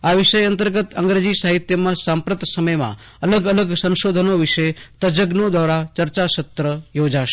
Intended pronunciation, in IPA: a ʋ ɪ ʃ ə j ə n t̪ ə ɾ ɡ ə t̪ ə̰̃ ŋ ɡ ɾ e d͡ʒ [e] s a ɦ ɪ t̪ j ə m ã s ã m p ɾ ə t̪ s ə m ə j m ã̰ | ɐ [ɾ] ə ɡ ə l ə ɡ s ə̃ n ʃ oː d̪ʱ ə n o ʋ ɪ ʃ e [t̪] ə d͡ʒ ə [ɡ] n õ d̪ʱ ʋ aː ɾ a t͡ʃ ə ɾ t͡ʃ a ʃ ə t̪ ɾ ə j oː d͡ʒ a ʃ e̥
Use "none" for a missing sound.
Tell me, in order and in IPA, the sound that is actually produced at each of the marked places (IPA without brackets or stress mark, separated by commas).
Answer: i, l, t̪, ɡ